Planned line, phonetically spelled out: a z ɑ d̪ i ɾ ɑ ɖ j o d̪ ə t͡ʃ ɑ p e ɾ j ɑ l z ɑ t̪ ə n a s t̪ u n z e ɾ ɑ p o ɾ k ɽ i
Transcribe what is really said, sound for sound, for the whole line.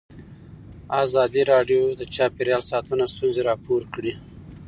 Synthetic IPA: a z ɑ d̪ i ɾ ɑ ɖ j o d̪ ə t͡ʃ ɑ p e ɾ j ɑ l s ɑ t̪ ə n a s t̪ u n z e ɾ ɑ p o ɾ k ɽ i